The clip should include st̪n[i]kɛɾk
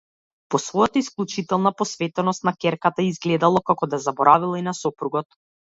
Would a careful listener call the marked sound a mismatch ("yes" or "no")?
yes